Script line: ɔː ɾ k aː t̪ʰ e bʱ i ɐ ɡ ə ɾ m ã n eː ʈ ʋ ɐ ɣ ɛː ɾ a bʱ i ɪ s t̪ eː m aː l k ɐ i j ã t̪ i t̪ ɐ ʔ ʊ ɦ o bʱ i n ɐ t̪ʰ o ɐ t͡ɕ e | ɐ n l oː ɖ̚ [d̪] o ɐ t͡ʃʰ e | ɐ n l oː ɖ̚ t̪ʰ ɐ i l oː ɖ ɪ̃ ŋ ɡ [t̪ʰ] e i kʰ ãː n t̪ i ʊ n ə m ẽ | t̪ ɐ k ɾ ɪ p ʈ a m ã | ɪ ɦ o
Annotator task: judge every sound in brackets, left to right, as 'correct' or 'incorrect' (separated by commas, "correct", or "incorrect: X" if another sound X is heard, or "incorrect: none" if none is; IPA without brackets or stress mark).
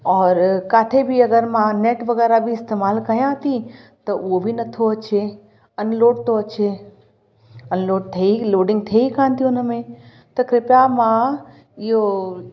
incorrect: t̪, correct